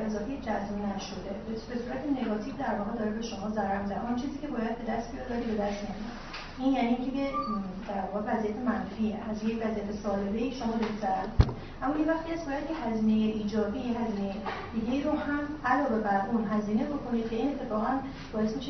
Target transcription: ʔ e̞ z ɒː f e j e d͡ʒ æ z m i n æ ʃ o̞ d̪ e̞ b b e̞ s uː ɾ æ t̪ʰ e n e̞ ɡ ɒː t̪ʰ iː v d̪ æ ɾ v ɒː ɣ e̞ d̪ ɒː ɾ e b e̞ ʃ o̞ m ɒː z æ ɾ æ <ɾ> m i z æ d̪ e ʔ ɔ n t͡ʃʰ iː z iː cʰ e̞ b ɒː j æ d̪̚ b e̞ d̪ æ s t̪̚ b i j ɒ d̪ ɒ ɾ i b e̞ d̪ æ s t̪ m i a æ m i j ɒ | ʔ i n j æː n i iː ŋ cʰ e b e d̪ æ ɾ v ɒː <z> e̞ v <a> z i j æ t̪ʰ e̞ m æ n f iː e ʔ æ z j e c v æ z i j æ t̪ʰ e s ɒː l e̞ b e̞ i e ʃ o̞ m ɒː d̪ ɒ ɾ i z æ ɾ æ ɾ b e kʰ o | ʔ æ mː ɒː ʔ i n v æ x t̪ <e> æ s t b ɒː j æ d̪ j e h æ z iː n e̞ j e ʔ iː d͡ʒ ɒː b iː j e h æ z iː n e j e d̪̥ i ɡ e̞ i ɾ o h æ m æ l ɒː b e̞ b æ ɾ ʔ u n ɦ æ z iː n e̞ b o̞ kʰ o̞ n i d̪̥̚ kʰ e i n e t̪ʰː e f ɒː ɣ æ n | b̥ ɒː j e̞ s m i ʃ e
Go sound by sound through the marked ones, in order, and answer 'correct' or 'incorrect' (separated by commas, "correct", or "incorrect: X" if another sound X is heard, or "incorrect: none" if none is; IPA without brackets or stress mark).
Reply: correct, incorrect: ɣ, incorrect: æ, incorrect: i